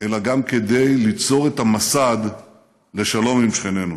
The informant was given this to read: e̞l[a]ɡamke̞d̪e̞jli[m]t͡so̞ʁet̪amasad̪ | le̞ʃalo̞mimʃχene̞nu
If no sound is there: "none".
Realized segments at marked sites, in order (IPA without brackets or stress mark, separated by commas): a, none